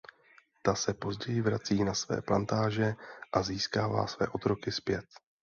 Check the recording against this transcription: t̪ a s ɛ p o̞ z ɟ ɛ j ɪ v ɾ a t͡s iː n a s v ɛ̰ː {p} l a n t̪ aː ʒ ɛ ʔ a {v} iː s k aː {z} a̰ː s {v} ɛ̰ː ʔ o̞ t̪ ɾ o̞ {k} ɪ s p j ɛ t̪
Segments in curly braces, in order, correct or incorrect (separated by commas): correct, incorrect, incorrect, correct, correct